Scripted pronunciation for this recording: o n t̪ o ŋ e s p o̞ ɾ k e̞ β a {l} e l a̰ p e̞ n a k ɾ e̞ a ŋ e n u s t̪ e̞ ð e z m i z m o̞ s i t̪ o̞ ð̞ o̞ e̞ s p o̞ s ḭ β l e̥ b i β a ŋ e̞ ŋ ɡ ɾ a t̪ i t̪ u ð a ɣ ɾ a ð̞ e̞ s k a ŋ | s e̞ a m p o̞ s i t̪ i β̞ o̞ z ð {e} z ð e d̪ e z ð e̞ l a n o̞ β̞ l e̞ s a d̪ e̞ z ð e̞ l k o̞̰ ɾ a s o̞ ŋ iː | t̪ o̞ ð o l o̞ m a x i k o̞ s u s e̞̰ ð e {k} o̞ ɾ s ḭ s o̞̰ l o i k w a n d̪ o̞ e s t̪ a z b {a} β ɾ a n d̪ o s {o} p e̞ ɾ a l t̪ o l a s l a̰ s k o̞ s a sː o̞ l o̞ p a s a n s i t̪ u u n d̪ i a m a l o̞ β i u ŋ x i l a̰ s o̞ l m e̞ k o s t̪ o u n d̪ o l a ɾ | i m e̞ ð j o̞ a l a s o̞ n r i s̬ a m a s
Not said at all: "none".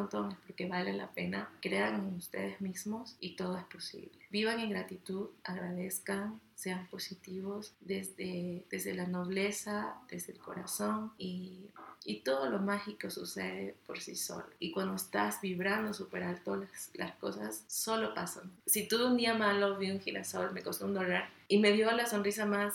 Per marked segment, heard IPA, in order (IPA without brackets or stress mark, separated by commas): l, e, p, i, u